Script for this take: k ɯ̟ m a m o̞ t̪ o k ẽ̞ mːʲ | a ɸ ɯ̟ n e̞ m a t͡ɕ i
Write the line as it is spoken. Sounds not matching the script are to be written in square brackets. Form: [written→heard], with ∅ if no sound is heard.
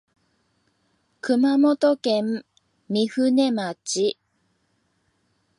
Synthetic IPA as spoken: k ɯ̟ m a m o̞ t̪ o k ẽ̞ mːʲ | [a→i] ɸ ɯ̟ n e̞ m a t͡ɕ i